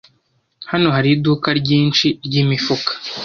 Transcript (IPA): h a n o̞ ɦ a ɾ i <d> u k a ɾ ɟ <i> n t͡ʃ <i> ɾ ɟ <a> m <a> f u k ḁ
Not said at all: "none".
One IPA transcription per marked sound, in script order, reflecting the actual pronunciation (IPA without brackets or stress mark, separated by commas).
d, iː, i, i, i